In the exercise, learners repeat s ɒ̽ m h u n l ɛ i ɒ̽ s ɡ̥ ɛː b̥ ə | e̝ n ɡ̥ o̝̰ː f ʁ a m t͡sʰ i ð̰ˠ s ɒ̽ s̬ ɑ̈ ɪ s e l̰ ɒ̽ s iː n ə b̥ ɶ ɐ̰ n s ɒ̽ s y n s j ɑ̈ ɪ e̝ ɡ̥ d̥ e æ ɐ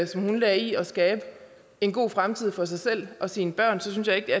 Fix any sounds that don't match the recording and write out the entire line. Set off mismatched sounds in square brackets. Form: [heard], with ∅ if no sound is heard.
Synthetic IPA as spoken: s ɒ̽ m h u n l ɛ i ɒ̽ s ɡ̥ ɛː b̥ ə | e̝ n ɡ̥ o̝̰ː f ʁ a m t͡sʰ i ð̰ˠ [f] ɒ̽ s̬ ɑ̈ ɪ s e l̰ ɒ̽ s iː n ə b̥ ɶ ɐ̰ n s ɒ̽ s y n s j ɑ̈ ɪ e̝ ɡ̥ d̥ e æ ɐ